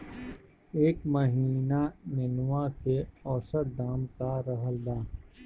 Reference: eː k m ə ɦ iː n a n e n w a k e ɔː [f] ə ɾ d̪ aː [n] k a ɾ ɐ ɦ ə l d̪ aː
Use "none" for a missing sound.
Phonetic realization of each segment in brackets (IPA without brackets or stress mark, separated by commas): s, m